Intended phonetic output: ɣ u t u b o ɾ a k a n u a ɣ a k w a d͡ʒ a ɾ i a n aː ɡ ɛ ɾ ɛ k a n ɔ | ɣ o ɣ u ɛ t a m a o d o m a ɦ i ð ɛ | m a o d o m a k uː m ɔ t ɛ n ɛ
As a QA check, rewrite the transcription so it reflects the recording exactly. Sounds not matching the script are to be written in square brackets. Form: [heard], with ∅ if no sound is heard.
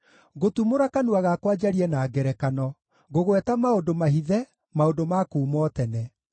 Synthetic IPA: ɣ [o] t u [m] o ɾ a k a n u a ɣ a k w a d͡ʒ a ɾ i [ɛ] n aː ɡ ɛ ɾ ɛ k a n ɔ | ɣ o ɣ [w] ɛ t a m a o d o m a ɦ i ð ɛ | m a o d o m a k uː m ɔ t ɛ n ɛ